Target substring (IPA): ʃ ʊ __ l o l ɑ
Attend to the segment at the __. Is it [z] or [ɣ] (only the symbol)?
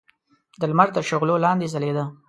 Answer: ɣ